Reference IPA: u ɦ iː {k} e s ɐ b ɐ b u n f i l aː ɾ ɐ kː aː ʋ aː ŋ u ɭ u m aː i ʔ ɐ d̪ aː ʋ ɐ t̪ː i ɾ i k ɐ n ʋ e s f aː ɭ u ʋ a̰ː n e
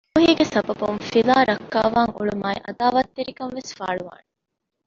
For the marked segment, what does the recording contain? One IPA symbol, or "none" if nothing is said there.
ɡ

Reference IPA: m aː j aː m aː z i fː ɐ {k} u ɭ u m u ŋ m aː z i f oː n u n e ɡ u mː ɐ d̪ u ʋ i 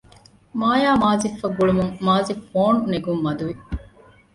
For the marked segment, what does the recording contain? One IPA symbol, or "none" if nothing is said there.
ɡ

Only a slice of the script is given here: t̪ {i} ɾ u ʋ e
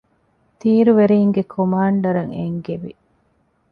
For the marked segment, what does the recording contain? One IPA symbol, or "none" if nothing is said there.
iː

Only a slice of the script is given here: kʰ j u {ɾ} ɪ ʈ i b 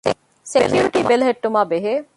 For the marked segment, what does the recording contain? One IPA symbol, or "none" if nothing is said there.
ɾ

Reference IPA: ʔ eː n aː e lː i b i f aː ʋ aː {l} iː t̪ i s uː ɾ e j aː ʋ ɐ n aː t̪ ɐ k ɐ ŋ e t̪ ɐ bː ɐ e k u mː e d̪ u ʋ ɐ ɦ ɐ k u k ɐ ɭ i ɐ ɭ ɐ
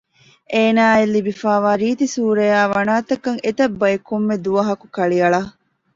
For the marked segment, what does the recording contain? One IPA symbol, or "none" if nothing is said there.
ɾ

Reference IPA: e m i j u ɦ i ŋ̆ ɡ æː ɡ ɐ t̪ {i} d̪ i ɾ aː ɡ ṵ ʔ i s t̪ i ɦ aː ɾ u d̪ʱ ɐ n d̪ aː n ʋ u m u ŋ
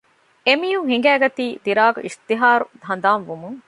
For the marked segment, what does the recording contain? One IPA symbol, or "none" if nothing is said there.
iː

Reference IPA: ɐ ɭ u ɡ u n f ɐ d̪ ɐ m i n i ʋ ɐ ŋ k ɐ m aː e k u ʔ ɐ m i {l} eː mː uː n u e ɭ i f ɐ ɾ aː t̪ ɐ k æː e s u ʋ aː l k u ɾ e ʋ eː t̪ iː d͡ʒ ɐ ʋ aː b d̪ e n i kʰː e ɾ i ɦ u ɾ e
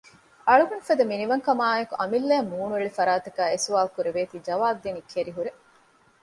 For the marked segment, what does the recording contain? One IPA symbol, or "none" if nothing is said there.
lː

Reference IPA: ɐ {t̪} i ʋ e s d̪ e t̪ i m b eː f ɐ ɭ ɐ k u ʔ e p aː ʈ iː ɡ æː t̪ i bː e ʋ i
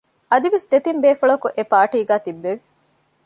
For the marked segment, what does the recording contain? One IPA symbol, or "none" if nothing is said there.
d̪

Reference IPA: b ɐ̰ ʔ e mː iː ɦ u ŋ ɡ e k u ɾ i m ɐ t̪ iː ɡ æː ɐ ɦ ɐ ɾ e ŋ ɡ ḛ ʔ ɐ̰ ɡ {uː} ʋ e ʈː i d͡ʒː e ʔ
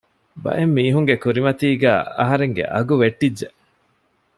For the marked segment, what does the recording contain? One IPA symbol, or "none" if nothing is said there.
u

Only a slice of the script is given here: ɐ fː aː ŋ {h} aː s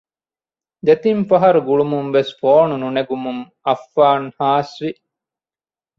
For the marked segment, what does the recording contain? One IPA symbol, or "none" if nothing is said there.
h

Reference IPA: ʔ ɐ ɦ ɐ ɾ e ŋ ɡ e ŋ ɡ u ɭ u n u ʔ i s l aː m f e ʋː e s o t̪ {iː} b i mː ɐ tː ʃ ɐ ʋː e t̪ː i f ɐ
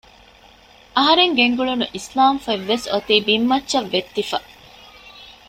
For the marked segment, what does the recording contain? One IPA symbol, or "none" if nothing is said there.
iː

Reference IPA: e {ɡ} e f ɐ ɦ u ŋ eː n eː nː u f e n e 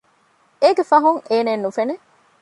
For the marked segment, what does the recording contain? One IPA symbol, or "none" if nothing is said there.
ɡ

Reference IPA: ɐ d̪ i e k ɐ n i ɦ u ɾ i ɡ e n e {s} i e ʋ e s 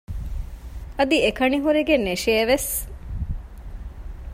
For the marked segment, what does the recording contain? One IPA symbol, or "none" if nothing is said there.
ʃ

